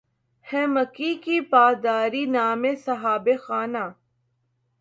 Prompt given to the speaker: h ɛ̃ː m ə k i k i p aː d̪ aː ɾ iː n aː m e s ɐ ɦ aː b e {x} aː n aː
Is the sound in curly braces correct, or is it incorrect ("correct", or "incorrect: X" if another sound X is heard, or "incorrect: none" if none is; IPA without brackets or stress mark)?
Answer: correct